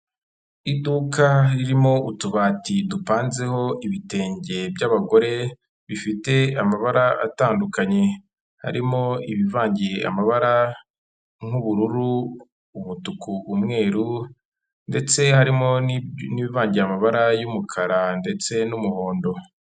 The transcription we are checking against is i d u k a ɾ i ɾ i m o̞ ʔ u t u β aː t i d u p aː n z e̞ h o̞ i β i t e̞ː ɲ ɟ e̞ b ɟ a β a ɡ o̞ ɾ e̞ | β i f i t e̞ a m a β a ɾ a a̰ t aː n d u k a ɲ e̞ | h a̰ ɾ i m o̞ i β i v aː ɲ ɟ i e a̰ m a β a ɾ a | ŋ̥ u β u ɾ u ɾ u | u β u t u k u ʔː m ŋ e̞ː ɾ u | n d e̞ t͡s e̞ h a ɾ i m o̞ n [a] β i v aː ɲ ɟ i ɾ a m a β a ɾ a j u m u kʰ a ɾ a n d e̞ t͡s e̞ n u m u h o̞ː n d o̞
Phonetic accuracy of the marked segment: incorrect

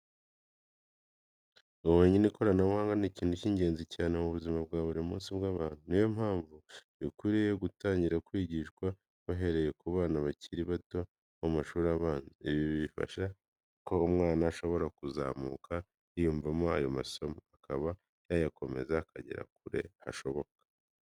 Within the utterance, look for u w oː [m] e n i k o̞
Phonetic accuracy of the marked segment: incorrect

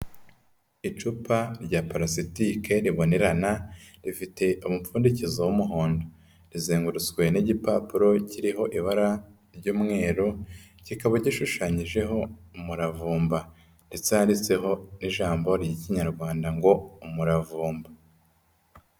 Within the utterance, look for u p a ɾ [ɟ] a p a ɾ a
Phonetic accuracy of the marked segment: correct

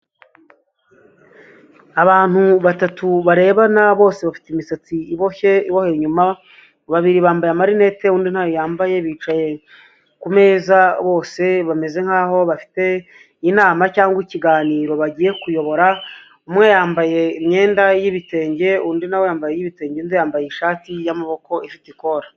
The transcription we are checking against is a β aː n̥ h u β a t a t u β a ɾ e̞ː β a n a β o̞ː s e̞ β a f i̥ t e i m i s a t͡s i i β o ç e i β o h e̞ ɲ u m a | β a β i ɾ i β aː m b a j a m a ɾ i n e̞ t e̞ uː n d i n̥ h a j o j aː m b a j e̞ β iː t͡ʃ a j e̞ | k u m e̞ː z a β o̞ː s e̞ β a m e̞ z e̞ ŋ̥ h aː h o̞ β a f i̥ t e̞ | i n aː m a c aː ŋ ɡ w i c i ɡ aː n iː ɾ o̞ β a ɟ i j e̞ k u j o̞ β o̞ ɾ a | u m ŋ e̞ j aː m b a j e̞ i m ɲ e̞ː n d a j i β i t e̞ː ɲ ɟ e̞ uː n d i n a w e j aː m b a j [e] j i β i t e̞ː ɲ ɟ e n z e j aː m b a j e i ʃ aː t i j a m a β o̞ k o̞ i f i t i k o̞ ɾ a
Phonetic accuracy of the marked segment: correct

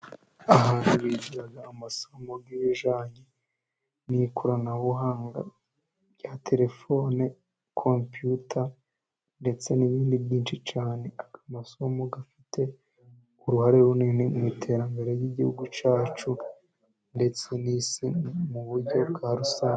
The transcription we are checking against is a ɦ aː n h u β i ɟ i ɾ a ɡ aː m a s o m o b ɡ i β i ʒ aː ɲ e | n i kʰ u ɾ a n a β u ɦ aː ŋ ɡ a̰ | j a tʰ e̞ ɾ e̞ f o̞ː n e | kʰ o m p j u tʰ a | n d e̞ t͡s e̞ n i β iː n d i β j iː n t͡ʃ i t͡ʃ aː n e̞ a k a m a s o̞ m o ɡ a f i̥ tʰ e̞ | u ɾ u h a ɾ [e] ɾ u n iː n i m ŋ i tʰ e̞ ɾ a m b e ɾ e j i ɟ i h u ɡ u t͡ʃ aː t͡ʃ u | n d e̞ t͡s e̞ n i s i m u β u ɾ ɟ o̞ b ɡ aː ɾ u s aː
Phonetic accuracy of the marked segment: correct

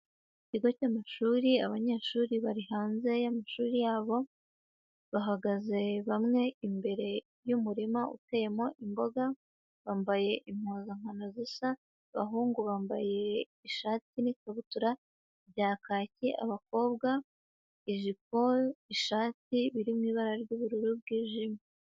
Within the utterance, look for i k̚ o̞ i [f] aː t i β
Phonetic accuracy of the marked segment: incorrect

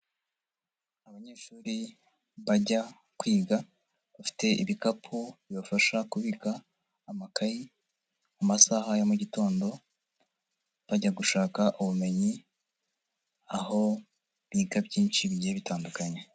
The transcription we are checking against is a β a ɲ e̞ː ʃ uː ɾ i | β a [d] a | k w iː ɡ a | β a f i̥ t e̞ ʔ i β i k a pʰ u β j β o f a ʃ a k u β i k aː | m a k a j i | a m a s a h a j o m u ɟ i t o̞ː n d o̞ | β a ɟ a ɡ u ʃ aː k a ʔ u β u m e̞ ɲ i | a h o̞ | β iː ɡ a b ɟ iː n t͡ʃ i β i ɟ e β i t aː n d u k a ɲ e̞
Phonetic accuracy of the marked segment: incorrect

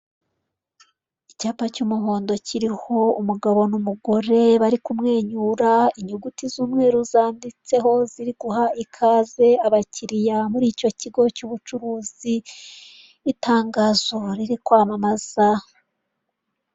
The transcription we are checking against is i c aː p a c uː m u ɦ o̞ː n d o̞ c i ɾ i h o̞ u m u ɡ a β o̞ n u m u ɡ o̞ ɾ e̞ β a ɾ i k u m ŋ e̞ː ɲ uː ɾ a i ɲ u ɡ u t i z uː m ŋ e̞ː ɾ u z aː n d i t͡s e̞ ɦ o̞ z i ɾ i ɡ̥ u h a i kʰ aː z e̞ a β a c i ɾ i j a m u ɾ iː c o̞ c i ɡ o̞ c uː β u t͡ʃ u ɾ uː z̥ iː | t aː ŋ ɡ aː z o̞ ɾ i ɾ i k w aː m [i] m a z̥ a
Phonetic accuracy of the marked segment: incorrect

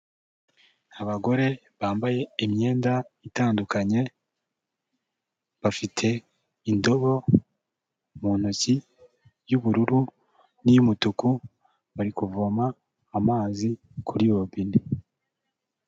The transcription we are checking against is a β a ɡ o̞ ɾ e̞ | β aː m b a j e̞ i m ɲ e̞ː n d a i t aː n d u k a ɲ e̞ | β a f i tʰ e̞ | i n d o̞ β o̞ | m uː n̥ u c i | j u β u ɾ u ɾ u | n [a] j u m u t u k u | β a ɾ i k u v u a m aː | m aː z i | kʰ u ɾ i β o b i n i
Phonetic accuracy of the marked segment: incorrect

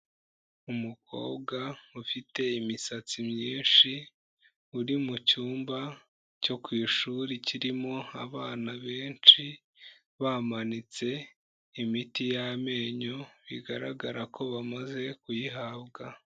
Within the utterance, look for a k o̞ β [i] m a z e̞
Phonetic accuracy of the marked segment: incorrect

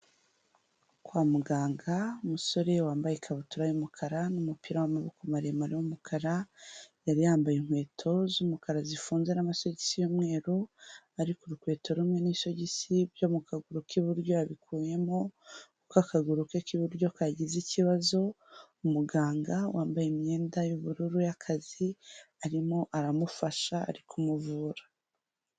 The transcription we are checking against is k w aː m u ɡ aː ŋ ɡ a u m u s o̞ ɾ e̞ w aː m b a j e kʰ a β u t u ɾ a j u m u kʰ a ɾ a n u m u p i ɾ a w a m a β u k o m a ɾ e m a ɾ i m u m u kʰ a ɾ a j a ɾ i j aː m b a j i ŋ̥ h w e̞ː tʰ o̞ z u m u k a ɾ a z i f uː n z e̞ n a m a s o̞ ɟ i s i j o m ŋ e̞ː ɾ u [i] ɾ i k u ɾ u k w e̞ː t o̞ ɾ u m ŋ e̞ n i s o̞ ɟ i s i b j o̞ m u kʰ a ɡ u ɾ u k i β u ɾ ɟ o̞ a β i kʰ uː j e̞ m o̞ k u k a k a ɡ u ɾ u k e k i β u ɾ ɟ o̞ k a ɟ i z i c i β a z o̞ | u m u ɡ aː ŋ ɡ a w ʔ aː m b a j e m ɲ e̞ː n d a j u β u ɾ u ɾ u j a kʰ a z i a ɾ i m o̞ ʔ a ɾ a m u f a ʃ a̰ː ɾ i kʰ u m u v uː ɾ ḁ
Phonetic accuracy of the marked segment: incorrect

